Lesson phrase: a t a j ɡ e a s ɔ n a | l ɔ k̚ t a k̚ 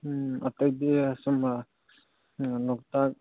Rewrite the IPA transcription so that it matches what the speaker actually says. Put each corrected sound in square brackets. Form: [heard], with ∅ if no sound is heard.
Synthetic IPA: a t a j [d] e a s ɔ [m] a | l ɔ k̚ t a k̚